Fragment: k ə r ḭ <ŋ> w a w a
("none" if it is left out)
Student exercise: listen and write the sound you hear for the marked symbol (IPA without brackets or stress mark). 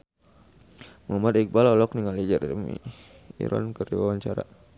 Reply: none